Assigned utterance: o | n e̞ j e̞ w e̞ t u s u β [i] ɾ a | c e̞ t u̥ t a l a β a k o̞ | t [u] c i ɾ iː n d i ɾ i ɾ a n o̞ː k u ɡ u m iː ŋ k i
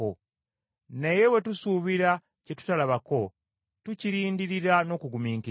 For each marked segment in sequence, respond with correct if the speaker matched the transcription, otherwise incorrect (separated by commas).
correct, correct